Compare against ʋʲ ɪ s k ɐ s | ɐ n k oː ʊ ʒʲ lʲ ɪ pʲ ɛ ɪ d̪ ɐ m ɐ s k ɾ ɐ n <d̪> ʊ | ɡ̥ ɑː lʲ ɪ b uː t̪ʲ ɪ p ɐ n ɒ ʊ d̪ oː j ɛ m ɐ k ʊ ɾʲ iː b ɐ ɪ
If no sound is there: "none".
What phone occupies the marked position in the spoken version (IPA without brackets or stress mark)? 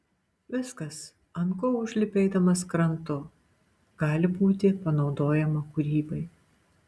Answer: t̪